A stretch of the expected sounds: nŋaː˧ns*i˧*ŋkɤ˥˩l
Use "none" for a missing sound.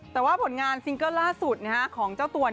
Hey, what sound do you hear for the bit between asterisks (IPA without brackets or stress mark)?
i˧